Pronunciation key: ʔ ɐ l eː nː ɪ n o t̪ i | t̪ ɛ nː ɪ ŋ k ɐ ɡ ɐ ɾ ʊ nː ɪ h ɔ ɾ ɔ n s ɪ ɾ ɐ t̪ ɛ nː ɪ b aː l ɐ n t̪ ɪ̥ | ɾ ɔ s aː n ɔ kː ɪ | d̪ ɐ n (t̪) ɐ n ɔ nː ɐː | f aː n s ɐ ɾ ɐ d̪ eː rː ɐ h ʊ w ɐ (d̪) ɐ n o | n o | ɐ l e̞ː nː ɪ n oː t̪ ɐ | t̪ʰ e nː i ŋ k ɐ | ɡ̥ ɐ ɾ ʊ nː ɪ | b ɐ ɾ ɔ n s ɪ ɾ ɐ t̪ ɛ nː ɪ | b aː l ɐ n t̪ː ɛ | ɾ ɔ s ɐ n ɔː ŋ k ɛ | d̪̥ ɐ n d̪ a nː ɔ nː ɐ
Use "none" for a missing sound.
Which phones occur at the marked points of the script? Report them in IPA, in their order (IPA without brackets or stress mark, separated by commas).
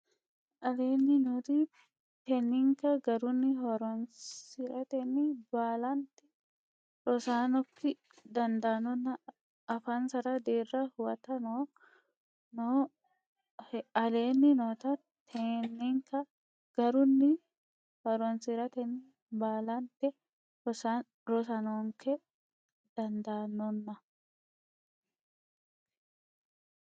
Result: d̪, t̪